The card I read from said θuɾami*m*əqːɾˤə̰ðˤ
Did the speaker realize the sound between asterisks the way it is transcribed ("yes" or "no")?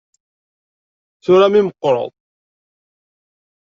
yes